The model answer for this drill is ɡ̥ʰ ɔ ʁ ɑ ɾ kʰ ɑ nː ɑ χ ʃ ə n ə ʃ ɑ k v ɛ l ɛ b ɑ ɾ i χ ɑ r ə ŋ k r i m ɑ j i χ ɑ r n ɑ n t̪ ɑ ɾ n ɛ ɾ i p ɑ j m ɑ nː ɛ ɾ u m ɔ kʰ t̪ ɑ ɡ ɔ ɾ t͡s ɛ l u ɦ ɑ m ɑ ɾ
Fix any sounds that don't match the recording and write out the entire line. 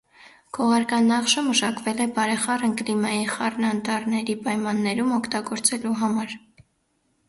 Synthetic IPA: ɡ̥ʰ ɔ ʁ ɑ ɾ k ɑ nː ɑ χ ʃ ə m ə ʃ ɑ k v ɛ l ɛ b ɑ ɾ ɛ χ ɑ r ə ŋ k l i m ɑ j i χ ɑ r n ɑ n t̪ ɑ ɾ n ɛ ɾ i p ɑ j m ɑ nː ɛ ɾ u m ɔ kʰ t̪ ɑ ɡ ɔ ɾ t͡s ɛ l u ɦ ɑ m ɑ ɾ